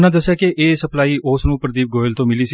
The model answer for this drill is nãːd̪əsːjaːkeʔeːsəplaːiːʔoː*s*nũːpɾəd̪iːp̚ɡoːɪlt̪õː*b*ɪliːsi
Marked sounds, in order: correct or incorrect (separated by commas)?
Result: correct, incorrect